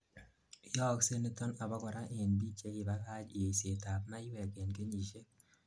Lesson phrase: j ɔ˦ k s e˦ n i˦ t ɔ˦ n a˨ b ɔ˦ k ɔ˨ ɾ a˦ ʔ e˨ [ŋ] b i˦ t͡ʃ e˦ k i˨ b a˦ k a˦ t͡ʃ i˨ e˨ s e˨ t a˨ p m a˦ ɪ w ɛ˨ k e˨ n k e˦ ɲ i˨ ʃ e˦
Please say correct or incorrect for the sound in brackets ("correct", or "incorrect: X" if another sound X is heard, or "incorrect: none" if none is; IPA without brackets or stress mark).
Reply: incorrect: n